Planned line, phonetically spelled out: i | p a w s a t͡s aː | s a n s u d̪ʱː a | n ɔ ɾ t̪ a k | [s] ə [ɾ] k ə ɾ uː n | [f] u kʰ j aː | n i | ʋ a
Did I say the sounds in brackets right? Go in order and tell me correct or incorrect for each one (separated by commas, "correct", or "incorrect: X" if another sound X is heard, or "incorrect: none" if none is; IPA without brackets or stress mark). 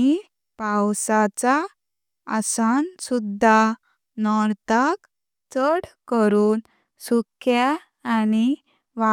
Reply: incorrect: t͡s, incorrect: ɽ, incorrect: s